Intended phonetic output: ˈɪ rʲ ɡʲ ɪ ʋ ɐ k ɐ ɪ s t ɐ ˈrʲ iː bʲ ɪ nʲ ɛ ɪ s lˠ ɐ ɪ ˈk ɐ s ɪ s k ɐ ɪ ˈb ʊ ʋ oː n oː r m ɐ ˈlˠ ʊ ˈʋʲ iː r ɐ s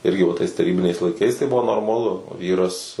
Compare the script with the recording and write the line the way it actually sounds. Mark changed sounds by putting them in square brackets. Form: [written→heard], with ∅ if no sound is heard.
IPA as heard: ˈɪ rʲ ɡʲ ɪ ʋ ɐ [k→t] ɐ ɪ s t ɐ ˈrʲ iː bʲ ɪ nʲ ɛ ɪ s lˠ ɐ ɪ ˈk ɐ [s→∅] ɪ s [k→t] ɐ ɪ ˈb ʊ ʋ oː n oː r m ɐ ˈlˠ ʊ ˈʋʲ iː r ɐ s